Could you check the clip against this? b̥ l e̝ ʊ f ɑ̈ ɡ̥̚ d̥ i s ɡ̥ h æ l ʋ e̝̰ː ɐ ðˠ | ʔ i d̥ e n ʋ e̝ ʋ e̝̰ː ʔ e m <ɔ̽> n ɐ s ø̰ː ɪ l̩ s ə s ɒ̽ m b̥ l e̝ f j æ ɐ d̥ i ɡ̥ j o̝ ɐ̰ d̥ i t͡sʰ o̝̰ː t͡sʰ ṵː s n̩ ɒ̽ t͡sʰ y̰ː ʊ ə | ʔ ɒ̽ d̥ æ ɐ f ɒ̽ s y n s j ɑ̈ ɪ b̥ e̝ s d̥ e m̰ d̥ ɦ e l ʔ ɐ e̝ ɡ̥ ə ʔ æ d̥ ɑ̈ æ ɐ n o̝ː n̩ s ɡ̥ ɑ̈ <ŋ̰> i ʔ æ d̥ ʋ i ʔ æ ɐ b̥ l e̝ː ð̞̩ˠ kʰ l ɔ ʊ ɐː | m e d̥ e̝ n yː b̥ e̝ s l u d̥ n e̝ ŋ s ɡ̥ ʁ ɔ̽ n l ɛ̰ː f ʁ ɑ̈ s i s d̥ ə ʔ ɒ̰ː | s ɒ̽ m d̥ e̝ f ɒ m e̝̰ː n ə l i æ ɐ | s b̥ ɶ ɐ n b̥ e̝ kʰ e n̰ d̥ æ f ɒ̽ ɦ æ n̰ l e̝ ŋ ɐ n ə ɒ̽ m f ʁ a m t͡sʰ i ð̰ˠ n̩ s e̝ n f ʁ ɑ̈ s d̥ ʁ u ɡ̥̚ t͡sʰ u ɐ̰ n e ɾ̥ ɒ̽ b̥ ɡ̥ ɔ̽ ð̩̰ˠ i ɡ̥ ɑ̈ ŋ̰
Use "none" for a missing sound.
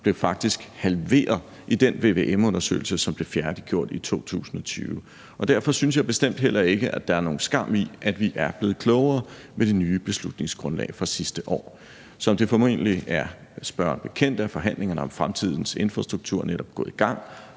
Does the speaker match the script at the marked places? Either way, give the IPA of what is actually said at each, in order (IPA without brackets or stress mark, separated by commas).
ɔ̽, m̰